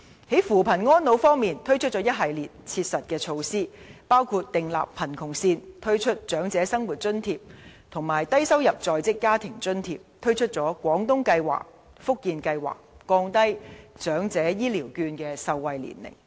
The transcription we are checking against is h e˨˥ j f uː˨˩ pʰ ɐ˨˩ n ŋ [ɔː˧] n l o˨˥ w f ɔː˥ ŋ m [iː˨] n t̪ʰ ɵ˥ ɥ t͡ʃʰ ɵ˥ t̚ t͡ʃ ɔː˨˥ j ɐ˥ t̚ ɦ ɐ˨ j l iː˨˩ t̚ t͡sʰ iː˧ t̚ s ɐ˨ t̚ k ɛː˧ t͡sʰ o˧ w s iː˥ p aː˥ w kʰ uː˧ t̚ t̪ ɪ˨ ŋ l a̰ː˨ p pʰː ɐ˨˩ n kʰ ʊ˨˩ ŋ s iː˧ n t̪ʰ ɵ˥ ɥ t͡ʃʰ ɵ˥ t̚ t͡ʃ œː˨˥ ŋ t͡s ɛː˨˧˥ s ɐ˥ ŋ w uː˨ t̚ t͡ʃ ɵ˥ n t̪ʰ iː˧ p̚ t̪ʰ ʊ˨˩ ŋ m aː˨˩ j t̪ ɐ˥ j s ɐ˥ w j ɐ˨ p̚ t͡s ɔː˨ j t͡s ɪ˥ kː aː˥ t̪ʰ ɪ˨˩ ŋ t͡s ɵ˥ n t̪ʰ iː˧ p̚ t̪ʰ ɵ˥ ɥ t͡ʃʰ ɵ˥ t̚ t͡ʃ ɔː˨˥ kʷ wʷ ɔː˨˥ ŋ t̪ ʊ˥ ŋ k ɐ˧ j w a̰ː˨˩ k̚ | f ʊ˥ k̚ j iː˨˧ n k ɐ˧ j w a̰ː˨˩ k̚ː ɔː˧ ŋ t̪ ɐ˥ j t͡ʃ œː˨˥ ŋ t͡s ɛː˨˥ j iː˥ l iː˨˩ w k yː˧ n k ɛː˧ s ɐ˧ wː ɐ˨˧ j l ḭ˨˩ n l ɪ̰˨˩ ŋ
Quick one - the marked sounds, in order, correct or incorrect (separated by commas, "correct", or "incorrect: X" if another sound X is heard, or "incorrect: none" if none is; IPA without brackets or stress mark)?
incorrect: ɔː˥, correct